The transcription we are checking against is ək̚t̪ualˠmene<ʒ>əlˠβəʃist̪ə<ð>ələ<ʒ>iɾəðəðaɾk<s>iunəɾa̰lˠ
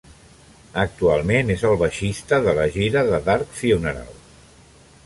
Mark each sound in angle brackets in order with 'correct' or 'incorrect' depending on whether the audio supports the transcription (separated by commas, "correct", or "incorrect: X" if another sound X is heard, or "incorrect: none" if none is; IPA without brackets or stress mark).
incorrect: z, correct, correct, incorrect: f